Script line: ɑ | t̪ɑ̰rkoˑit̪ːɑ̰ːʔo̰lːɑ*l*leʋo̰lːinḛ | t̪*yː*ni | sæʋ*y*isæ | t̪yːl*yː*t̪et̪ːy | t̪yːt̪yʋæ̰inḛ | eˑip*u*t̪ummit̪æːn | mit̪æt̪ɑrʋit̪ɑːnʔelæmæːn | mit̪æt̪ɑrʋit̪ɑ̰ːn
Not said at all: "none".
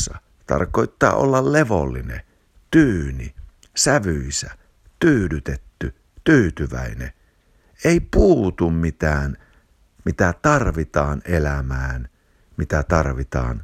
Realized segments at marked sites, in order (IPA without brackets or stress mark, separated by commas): l, yː, y, y, uː